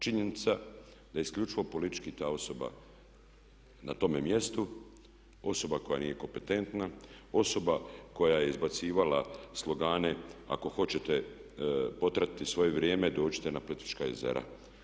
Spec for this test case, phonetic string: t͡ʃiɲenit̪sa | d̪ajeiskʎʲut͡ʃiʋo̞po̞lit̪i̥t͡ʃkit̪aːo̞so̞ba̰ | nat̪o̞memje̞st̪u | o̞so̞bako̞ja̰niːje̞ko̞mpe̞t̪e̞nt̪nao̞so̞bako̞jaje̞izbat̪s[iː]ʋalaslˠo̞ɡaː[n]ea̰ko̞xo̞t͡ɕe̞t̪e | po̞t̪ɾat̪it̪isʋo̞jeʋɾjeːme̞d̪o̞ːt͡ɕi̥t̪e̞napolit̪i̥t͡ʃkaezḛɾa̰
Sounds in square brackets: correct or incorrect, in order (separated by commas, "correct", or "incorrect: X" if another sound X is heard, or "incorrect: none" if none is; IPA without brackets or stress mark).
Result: correct, correct